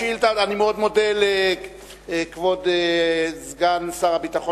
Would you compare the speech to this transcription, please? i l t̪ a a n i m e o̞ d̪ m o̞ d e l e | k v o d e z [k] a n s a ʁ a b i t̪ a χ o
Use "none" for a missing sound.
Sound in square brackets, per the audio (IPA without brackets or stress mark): ɡ